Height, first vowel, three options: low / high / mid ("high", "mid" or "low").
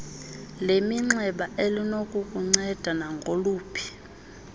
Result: mid